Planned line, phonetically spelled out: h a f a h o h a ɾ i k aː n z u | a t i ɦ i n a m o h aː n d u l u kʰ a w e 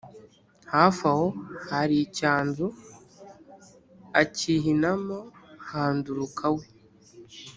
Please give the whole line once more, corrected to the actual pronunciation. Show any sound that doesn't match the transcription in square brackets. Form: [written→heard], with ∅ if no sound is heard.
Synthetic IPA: h a f a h o h a ɾ i [k→c] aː n z u | a [t→c] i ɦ i n a m o h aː n d u [l→ɾ] u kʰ a w e